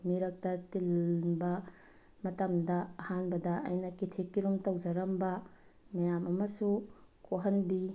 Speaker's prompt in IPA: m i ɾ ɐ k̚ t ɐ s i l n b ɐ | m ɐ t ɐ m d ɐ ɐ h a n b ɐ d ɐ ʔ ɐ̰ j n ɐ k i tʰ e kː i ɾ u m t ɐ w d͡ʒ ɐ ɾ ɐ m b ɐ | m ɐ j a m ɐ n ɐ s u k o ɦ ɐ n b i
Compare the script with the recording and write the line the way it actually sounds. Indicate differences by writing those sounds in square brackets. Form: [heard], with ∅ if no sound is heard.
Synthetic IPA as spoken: m i ɾ ɐ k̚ t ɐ [t] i l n b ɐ | m ɐ t ɐ m d ɐ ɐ h a n b ɐ d ɐ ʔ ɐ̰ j n ɐ k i tʰ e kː i ɾ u m t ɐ w d͡ʒ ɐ ɾ ɐ m b ɐ | m ɐ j a m ɐ [m] ɐ s u k o ɦ ɐ n b i

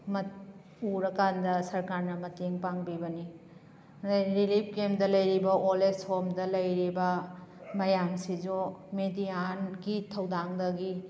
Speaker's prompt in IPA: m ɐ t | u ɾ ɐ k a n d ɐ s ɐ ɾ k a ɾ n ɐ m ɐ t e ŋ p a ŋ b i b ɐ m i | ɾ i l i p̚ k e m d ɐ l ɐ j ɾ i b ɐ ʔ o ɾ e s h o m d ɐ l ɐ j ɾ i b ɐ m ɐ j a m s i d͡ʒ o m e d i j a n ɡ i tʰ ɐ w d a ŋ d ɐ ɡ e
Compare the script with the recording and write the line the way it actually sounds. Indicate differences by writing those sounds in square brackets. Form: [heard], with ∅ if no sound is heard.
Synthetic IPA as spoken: m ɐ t | u ɾ ɐ k a n d ɐ s ɐ ɾ k a ɾ n ɐ m ɐ t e ŋ p a ŋ b i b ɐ [n] i | ɾ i l i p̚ k e m d ɐ l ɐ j ɾ i b ɐ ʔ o [l] e s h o m d ɐ l ɐ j ɾ i b ɐ m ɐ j a m s i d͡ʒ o m e d i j a n ɡ i tʰ ɐ w d a ŋ d ɐ ɡ [i]

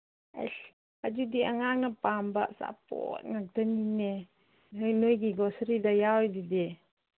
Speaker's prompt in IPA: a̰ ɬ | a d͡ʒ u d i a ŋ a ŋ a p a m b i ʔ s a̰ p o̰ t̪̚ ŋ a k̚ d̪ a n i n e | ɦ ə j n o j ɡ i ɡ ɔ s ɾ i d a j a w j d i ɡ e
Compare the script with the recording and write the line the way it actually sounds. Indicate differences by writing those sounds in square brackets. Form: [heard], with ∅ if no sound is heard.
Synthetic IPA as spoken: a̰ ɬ | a d͡ʒ u d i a ŋ a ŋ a p a m b [a] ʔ s a̰ p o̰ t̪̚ ŋ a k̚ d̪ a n i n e | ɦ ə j n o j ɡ i ɡ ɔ s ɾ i d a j a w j d i [d] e

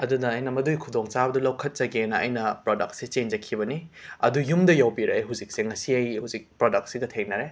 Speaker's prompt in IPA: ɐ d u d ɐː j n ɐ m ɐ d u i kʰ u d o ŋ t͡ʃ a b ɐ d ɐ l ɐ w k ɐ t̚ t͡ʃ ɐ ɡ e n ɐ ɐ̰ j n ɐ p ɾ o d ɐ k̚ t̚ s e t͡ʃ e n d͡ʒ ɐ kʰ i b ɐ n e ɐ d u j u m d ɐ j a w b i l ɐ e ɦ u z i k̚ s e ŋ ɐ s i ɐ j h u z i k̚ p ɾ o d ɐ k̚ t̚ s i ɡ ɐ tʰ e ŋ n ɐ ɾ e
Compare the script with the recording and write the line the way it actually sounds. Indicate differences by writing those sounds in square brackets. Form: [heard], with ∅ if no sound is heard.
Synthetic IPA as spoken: ɐ d u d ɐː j n ɐ m ɐ d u [j] kʰ u d o ŋ t͡ʃ a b ɐ d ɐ l ɐ w [kʰ] ɐ t̚ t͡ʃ ɐ ɡ e n ɐ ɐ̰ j n ɐ p ɾ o d ɐ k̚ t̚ s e t͡ʃ e n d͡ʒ ɐ kʰ i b ɐ n [i] ɐ d u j u m d ɐ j a w b i [ɾ] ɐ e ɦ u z i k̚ s e ŋ ɐ s i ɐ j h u z i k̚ p ɾ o d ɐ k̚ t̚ s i ɡ ɐ tʰ e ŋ n ɐ ɾ e

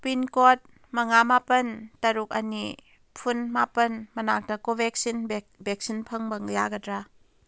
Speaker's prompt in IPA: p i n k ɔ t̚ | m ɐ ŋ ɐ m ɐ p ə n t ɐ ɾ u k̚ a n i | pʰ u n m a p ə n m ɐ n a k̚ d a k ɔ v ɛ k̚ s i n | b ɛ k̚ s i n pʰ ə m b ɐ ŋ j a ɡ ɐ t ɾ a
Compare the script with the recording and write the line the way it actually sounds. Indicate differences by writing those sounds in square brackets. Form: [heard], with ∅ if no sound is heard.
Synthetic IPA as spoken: p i n k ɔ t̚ | m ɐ ŋ [a] m [a] p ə n t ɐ ɾ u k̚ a n i | pʰ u n m a p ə n m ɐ n a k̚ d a k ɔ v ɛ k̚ s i n | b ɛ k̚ s i n pʰ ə [ŋ] b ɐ ŋ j a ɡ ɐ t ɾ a

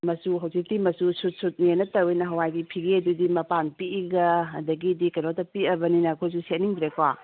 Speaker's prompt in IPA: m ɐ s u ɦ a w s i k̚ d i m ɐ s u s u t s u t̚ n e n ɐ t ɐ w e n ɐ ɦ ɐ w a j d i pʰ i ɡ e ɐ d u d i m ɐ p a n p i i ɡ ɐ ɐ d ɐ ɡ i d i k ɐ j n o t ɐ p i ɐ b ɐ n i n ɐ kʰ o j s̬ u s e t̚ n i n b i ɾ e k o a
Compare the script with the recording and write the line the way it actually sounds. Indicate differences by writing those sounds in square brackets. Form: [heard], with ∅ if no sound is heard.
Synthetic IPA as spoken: m ɐ s u ɦ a w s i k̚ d i m ɐ s u s u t s u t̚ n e n ɐ t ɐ w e n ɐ ɦ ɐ w a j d i pʰ i ɡ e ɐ d u d i m ɐ p a n p i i ɡ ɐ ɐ d ɐ ɡ i d i k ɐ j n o t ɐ p i ɐ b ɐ n i n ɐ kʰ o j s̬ u s e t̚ n i [ŋ] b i ɾ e k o a

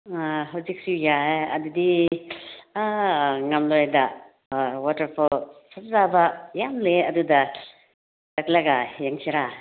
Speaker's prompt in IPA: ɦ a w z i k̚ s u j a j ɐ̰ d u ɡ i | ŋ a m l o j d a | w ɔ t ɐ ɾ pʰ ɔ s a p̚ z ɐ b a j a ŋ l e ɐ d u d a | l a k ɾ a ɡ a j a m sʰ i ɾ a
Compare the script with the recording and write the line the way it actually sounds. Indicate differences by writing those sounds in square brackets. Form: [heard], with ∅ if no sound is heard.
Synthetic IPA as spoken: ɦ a w z i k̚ s u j a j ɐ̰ d u [d] i | ŋ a m l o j d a | w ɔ t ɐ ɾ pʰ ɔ s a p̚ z [a] b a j a [m] l e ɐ d u d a | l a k [l] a ɡ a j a [ŋ] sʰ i ɾ a

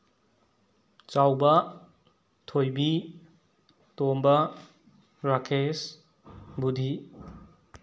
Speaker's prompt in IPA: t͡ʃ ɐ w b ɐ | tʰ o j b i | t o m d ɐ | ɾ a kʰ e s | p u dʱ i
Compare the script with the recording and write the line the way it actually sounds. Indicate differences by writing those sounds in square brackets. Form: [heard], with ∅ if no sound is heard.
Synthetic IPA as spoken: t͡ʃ [a] w b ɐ | tʰ o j b i | t o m [b] ɐ | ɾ a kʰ e s | [b] u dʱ i

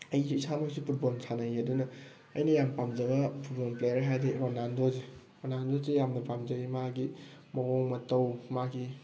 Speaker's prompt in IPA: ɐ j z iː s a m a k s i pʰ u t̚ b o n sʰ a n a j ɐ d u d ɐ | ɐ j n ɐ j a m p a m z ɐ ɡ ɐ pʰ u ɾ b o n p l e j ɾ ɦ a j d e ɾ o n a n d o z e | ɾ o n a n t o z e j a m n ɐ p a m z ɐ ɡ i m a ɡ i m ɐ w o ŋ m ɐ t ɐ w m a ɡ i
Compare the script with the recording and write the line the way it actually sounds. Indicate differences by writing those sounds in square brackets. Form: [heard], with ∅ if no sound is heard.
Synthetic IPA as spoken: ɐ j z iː s a m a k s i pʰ u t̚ b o n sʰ a n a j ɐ d u [n] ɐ | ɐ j n ɐ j a m p a m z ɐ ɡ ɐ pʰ u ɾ b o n p l e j ɾ ɦ a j d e ɾ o n a n d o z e | ɾ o n a n [d] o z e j a m n ɐ p a m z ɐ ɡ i m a ɡ i m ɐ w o ŋ m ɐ t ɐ w m a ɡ i

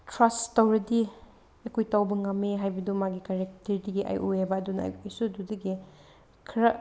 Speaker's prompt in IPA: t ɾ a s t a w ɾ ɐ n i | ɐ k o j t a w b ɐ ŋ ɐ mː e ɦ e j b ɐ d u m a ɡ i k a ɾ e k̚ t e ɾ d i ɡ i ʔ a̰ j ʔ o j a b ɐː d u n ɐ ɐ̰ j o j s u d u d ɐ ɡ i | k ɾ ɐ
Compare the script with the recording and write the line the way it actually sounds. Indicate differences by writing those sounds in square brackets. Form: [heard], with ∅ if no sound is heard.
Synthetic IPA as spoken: t ɾ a s t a w ɾ ɐ [d] i | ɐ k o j t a w b ɐ ŋ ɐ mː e ɦ [a] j b ɐ d u m a ɡ i k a ɾ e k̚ t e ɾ d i ɡ i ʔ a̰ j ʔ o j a b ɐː d u n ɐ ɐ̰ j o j s u d u d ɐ ɡ i | [kʰ] ɾ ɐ

